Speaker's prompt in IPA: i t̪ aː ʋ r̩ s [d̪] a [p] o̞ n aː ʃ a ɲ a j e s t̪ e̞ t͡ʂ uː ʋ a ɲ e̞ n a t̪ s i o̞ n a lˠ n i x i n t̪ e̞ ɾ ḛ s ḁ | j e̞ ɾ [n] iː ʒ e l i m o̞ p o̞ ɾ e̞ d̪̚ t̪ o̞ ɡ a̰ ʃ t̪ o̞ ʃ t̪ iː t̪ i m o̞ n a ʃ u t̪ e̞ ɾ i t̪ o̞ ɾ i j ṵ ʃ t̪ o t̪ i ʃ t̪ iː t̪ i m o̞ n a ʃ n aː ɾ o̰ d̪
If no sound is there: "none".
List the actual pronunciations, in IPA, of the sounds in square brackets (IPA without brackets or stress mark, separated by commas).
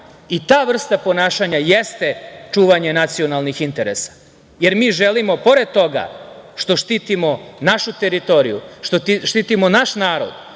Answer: t̪, p, m